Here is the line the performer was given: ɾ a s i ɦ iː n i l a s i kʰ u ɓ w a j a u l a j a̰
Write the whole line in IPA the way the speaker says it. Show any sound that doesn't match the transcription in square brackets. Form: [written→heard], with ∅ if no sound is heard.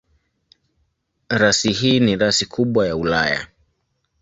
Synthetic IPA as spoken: ɾ a s i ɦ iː n i [l→ɾ] a s i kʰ u ɓ w a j a u l a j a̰